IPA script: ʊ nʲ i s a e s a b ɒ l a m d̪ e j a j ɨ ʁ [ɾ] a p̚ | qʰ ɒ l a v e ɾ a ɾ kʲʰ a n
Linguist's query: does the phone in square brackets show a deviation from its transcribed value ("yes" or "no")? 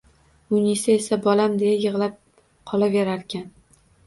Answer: yes